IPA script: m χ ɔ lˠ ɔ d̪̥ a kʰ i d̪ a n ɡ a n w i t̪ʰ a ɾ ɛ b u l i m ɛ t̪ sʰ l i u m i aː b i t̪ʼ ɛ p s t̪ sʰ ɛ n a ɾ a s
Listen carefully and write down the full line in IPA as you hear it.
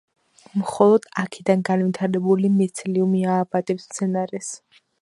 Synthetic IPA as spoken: m χ ɔ lˠ ɔ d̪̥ a kʰ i d̪ a n ɡ a n v i t̪ʰ a ɾ ɛ b u l i m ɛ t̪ sʰ l i u m i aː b a t̪ʼ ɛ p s t̪ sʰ ɛ n a ɾ ɛ s